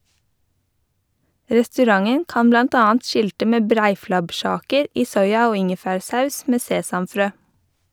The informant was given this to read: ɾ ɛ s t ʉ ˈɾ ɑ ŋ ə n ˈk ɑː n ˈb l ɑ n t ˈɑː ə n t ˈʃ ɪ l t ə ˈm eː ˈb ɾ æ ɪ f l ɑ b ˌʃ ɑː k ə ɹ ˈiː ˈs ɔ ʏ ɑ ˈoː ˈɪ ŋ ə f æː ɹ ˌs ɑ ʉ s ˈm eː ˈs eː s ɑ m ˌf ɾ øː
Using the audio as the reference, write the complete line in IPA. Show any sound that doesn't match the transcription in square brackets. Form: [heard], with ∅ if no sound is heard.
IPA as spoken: ɾ ɛ s t ʉ ˈɾ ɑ ŋ ə n ˈk ɑː n ˈb l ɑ n t ˈɑː [ɑ] n t ˈʃ ɪ l t ə ˈm eː ˈb ɾ æ ɪ f l ɑ b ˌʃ ɑː k ə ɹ ˈiː ˈs ɔ ʏ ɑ ˈoː ˈɪ ŋ ə f æː ɹ ˌs ɑ ʉ s ˈm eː ˈs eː s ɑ m ˌf ɾ øː